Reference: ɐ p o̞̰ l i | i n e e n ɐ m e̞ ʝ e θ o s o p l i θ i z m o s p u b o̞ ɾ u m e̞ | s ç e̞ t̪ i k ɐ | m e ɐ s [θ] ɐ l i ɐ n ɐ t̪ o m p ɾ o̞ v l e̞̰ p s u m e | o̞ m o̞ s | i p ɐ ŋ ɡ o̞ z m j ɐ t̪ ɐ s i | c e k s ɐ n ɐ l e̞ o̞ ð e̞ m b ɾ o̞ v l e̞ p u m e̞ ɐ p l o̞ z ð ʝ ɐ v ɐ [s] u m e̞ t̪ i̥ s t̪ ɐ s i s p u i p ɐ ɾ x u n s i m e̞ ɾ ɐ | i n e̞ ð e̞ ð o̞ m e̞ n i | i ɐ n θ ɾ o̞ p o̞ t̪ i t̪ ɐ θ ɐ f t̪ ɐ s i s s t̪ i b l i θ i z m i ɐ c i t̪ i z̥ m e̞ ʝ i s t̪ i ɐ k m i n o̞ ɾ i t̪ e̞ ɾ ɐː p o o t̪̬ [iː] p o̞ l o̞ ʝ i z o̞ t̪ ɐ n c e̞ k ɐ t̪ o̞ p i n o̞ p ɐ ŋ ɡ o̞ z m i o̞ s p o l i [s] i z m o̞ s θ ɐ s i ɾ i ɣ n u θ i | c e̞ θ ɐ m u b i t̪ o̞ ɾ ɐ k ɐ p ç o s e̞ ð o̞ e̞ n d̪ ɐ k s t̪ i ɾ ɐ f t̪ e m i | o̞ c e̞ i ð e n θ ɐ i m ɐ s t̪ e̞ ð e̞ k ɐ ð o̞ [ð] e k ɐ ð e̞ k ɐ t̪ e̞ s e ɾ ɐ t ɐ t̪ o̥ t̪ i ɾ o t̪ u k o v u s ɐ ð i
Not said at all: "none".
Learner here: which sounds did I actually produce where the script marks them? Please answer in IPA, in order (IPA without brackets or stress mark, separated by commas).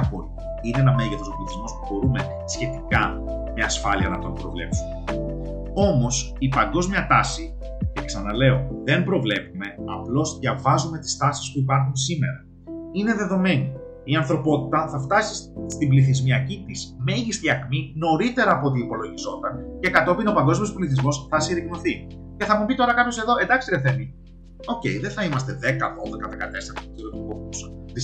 f, z, iː, θ, ð